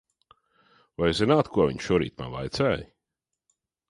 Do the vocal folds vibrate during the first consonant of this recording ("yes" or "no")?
yes